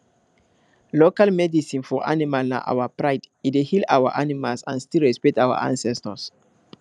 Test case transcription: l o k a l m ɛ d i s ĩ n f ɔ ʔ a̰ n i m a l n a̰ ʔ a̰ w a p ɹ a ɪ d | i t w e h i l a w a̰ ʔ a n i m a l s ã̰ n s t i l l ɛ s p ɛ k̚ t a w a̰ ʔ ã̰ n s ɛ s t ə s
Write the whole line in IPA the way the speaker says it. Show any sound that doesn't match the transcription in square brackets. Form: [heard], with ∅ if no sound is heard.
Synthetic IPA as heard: l o k a l m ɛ d i s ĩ n f ɔ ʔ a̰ n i m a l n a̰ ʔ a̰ w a p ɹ a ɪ d | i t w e h i l a w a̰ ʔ a n i m a l s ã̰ n s t i l [ɹ] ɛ s p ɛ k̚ t a w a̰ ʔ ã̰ n s ɛ s t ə s